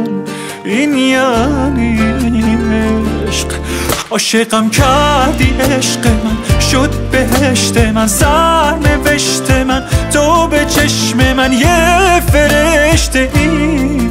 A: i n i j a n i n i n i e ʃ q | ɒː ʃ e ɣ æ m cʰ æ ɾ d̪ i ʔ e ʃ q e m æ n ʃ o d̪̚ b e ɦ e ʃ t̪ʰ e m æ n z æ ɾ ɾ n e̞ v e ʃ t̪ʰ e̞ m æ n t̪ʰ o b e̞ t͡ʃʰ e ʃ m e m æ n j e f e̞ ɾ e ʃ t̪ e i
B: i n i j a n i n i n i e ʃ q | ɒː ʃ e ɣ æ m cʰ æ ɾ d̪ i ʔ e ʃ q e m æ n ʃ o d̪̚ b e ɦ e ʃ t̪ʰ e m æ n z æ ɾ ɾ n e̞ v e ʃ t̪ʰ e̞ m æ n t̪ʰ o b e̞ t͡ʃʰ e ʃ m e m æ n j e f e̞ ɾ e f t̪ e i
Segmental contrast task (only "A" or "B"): A